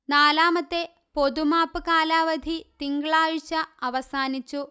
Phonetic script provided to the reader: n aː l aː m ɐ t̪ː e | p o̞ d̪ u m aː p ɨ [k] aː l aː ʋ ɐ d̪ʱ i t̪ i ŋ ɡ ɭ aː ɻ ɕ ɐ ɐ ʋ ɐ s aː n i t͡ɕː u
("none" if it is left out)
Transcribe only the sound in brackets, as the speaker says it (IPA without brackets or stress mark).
k